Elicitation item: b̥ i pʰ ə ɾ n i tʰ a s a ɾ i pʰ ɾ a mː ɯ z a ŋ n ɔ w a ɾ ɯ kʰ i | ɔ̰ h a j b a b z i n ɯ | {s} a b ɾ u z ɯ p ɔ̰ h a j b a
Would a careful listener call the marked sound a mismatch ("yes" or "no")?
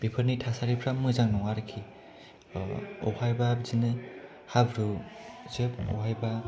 yes